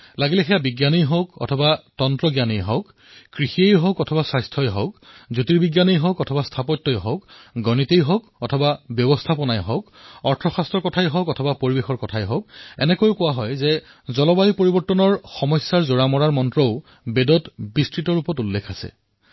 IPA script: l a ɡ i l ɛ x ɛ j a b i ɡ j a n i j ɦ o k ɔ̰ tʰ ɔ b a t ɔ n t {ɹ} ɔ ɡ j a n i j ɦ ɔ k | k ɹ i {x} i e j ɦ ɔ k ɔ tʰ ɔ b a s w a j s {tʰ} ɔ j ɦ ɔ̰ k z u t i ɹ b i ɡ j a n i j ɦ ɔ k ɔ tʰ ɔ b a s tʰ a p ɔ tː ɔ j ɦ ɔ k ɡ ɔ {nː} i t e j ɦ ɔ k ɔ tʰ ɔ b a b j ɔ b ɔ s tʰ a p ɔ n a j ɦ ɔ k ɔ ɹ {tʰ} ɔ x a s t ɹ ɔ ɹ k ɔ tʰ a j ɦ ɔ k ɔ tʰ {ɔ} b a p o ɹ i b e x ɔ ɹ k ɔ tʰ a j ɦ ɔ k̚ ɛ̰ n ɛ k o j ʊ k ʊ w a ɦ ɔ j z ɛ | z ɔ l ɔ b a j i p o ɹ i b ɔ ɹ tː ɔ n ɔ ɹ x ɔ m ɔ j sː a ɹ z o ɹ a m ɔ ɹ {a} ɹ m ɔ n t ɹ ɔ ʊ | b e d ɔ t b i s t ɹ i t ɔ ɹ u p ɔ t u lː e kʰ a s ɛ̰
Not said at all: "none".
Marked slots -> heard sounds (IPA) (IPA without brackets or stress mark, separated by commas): ɹ, x, tʰ, n, tʰ, ɔ, a